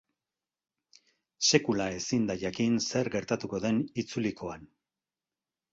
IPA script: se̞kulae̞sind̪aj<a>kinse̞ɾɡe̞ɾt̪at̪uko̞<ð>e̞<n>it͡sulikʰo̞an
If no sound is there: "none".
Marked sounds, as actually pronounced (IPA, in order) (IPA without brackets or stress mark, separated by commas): a, ð, n